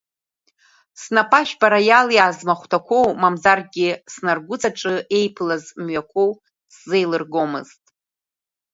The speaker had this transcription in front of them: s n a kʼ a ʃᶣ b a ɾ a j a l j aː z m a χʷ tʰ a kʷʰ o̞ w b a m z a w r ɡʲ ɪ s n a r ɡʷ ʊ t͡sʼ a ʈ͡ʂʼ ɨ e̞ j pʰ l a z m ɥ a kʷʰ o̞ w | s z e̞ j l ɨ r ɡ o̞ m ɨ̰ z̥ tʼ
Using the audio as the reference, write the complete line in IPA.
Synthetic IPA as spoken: s n a pʼ a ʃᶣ b a ɾ a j a l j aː z m a χʷ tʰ a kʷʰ o̞ w m a m z a r ɡʲ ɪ s n a r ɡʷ ʊ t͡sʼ a ʈ͡ʂʼ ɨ e̞ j pʰ l a z m ɥ a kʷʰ o̞ w | s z e̞ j l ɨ r ɡ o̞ m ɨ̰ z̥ tʼ